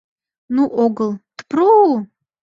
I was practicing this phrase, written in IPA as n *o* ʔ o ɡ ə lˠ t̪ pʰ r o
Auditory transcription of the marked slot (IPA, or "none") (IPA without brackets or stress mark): u